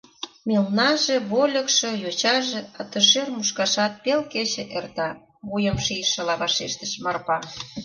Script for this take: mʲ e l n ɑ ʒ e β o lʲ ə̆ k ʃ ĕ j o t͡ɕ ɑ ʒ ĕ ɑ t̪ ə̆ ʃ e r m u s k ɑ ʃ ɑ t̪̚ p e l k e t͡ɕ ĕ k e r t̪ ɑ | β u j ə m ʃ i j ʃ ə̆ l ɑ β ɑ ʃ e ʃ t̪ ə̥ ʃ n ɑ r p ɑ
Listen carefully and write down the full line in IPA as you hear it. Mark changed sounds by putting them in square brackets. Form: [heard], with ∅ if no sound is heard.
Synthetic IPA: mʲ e l n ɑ ʒ e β o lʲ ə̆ k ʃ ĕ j o t͡ɕ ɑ ʒ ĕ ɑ t̪ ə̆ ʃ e r m u [ʃ] k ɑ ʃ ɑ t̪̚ p e l k e t͡ɕ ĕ [ʔ] e r t̪ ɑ | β u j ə m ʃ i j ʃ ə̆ l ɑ β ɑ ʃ e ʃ t̪ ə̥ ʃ [m] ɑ r p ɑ